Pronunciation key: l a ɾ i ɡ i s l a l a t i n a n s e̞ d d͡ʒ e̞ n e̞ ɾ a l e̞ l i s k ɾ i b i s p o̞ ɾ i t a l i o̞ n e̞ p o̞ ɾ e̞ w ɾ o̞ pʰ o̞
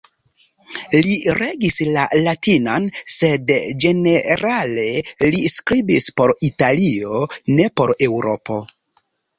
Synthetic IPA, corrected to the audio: l i ɾ e ɡ i s l a l a t i n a n s e̞ d d͡ʒ e̞ n e̞ ɾ a l e̞ l i s k ɾ i b i s p o̞ ɾ i t a l i o̞ n e̞ p o̞ ɾ e̞ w ɾ o̞ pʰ o̞